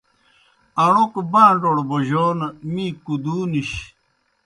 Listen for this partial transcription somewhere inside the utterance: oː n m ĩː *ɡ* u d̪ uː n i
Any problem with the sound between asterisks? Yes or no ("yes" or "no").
yes